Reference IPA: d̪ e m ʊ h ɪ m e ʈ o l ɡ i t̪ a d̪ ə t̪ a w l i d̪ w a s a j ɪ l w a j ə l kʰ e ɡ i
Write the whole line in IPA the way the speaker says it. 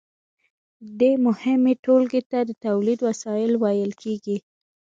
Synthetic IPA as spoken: d̪ e m ʊ h ɪ m e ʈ o l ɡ e t̪ a d̪ ə t̪ a w l i d̪ w a s ɑ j ɪ l w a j ə l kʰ e ɡ i